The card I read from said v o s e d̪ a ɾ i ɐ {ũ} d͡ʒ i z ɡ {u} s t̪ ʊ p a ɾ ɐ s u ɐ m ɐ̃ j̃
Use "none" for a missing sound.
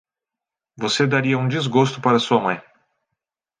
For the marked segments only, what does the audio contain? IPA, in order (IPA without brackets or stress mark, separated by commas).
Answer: ũ, o